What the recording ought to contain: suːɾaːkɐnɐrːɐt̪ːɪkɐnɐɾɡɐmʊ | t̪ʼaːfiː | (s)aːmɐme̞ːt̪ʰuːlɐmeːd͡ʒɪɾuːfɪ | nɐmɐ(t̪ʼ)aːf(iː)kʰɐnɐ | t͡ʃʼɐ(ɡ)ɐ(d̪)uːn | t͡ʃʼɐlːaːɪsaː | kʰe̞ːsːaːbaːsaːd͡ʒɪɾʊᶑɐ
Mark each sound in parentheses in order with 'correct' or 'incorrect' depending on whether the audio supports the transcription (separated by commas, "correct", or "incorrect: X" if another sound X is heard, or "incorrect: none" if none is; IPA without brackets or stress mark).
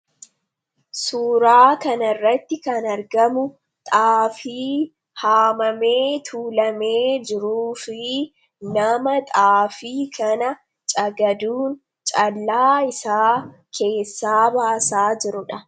incorrect: h, correct, correct, correct, correct